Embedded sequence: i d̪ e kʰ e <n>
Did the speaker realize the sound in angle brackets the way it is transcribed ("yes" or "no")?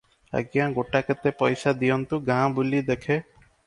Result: no